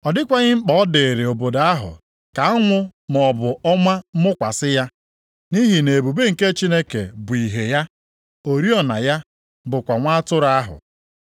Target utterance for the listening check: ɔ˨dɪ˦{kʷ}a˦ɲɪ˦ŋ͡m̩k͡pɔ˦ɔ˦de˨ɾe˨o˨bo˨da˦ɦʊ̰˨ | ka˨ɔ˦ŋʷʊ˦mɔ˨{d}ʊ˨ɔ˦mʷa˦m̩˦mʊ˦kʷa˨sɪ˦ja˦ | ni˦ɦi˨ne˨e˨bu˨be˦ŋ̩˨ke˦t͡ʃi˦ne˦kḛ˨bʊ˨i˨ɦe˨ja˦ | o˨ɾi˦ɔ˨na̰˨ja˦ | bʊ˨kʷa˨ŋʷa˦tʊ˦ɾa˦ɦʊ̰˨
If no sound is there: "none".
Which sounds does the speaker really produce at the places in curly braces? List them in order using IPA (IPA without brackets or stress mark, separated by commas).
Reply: kʷ, b